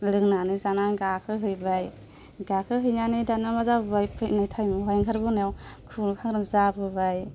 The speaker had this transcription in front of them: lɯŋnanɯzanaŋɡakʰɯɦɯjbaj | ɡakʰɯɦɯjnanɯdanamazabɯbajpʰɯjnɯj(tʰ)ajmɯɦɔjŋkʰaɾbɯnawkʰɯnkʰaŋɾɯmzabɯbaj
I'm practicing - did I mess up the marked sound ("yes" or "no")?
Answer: no